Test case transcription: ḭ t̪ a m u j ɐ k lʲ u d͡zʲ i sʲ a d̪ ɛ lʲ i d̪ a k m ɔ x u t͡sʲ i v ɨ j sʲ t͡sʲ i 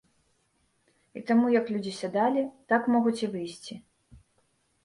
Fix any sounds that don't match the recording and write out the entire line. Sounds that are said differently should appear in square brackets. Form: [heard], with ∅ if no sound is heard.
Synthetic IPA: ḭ t̪ a m u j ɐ k lʲ u d͡zʲ i sʲ a d̪ [a] lʲ i [t̪] a k m ɔ [ɣ] u t͡sʲ i v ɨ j sʲ t͡sʲ i